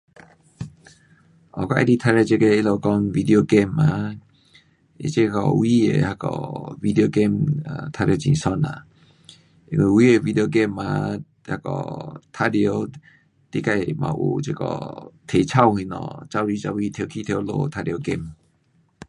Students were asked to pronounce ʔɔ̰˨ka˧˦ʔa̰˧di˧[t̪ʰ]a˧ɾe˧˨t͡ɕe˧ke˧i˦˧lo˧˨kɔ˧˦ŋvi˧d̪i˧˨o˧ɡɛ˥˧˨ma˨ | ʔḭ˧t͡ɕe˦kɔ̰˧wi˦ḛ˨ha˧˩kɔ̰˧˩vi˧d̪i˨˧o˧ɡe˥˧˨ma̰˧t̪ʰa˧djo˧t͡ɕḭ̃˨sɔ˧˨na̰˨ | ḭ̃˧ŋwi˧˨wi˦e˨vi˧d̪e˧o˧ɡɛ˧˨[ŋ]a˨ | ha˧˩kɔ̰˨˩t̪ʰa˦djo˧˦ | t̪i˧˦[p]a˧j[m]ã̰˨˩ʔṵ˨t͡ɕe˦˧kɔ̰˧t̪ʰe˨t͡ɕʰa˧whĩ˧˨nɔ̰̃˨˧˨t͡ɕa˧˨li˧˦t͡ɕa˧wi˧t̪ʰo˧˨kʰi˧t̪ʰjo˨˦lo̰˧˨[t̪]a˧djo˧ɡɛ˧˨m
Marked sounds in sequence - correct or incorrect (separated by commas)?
correct, incorrect, incorrect, correct, incorrect